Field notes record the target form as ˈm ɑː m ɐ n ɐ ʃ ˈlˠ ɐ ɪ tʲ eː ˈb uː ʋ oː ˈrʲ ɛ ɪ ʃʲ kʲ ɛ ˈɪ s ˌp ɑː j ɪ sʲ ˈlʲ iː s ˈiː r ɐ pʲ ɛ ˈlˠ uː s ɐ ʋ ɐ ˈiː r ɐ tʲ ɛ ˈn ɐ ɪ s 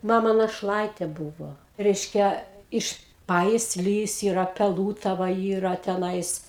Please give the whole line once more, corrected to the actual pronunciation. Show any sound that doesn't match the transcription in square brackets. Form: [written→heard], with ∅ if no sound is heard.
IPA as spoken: ˈm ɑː m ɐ n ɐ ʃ ˈlˠ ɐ ɪ tʲ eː ˈb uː ʋ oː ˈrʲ ɛ ɪ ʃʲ kʲ ɛ ˈɪ [s→ʃ] ˌp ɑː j ɪ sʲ ˈlʲ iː s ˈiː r ɐ pʲ ɛ ˈlˠ uː [s→t] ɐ ʋ ɐ ˈiː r ɐ tʲ ɛ ˈn ɐ ɪ s